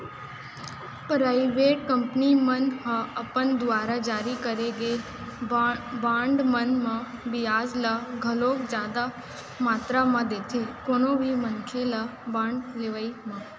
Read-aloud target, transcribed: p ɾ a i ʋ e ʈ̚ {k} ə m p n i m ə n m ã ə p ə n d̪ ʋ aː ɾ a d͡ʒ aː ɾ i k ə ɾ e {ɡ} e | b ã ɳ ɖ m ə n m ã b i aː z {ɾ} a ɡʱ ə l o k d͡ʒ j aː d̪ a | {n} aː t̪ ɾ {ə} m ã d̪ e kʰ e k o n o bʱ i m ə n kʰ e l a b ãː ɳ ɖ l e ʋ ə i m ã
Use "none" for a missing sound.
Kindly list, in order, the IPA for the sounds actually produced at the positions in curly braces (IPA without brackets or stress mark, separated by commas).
k, ɡ, l, m, a